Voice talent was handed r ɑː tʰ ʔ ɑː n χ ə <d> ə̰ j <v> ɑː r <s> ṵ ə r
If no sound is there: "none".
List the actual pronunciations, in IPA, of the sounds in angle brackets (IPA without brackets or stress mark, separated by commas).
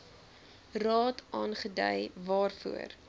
d, v, f